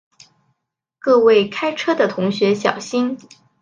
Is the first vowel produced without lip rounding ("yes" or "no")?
yes